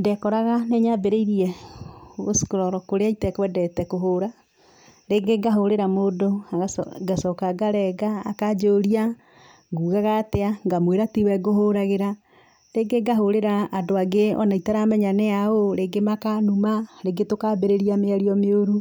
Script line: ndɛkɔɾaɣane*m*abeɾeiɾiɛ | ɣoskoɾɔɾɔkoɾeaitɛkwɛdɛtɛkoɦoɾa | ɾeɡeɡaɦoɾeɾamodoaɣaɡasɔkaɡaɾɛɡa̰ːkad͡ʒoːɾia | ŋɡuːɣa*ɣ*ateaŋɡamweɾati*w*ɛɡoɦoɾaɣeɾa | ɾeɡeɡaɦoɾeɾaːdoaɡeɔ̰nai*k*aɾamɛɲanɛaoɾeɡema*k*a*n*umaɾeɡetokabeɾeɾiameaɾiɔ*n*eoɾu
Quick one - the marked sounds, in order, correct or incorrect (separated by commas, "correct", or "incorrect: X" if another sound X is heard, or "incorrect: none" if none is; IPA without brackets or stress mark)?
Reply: incorrect: ɲ, correct, correct, incorrect: t, correct, correct, incorrect: m